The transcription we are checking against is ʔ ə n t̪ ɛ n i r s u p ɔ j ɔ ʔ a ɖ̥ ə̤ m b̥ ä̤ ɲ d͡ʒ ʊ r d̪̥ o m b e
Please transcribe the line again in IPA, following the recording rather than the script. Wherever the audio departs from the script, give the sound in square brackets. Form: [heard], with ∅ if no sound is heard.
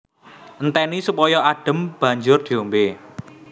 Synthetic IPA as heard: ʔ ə n t̪ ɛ n i [∅] s u p ɔ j ɔ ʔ a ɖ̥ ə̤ m b̥ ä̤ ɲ d͡ʒ ʊ r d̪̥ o m b e